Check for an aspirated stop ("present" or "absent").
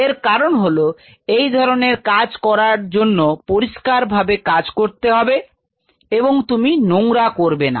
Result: absent